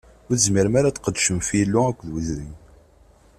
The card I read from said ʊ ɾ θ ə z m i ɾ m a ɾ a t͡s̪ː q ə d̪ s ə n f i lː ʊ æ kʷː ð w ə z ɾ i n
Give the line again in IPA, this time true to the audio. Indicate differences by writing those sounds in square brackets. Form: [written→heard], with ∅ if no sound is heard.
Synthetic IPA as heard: ʊ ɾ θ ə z m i ɾ m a ɾ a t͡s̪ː q ə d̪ [s→ʃ] ə [n→m] f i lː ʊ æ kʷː ð w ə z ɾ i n